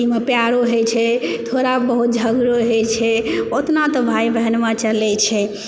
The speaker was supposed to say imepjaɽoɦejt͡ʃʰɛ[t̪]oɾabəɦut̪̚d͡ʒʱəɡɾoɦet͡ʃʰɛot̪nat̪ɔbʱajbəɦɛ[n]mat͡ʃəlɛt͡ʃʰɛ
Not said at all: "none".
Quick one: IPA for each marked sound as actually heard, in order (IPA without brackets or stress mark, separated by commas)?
t̪ʰ, n